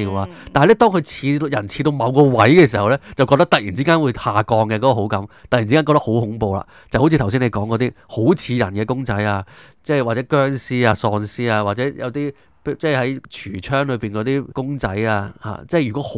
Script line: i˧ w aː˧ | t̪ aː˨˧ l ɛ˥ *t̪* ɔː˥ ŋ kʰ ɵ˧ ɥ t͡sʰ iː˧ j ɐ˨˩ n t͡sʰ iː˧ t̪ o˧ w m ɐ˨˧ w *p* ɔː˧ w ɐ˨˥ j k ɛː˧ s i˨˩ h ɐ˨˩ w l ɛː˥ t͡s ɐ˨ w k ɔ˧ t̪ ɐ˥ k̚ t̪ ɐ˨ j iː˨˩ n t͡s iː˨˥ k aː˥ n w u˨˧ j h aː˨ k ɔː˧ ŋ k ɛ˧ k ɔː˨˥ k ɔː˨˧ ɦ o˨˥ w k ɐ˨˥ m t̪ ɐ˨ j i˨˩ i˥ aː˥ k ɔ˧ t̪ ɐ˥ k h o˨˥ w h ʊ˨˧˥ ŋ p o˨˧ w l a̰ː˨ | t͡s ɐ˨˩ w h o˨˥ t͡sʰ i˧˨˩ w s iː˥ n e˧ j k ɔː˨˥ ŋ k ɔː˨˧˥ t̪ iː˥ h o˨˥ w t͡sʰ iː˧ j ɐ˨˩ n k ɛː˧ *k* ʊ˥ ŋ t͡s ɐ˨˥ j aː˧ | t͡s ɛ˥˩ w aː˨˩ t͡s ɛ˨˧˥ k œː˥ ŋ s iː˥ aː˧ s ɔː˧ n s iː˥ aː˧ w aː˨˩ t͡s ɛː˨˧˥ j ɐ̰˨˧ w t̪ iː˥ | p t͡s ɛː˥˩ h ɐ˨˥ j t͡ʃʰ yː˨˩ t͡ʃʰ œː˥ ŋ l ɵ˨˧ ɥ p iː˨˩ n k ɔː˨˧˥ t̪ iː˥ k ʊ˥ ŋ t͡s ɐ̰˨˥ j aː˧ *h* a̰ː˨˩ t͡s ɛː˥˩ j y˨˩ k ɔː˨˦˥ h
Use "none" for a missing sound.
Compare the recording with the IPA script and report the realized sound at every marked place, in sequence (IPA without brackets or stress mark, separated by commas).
t̪, k, k, h